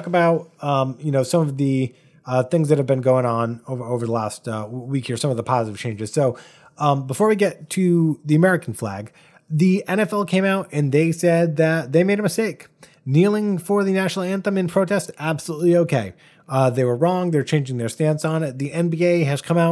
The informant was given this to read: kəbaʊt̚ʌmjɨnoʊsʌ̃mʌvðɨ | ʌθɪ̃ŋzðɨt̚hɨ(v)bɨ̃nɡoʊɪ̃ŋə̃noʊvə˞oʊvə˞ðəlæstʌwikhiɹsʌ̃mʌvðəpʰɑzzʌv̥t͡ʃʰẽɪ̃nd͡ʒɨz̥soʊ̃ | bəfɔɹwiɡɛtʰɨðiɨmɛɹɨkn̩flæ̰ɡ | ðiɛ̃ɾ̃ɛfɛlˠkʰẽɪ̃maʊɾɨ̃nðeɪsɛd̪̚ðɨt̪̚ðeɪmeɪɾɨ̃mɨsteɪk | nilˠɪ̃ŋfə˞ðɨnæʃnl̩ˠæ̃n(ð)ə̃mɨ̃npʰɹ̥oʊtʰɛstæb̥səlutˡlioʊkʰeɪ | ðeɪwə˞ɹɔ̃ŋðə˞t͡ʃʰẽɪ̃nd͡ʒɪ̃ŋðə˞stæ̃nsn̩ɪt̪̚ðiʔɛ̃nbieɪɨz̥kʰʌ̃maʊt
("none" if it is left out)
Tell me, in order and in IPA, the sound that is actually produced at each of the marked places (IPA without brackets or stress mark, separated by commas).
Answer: v, θ